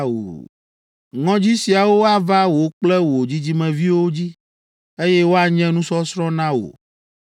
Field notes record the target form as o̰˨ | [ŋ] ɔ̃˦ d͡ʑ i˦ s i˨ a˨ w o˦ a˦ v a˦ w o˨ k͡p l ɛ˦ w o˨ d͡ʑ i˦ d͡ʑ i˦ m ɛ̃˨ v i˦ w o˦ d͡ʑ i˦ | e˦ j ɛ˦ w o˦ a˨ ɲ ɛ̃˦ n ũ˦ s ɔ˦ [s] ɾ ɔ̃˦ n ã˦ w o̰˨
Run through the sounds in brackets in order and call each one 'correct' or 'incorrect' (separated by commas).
correct, correct